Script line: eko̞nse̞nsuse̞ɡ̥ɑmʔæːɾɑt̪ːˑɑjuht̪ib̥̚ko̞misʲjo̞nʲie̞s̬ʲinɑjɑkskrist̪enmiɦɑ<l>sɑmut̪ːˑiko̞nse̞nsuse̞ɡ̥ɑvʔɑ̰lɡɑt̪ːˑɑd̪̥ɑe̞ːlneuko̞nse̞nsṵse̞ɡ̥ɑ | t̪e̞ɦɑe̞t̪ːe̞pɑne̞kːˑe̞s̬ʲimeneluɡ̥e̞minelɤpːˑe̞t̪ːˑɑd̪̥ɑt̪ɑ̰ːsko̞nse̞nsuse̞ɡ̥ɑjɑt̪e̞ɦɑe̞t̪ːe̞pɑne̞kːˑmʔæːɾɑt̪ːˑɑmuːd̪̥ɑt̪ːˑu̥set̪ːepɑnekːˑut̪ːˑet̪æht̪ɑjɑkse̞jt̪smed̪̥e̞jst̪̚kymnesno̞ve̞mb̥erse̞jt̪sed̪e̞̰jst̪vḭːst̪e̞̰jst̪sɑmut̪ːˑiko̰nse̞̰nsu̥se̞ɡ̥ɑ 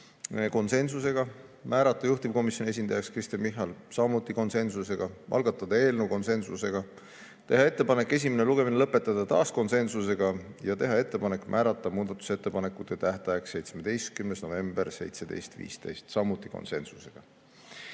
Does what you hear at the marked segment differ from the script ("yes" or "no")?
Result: no